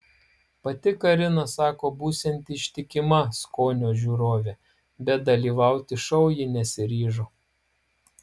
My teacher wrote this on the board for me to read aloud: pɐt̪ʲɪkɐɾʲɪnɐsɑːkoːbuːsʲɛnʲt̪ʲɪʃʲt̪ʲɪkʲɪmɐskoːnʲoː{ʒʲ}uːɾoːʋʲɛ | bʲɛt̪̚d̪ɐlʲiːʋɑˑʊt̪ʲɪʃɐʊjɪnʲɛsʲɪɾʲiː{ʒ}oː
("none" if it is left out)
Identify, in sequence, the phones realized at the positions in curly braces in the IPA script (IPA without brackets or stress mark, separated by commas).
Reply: ʒʲ, ʒ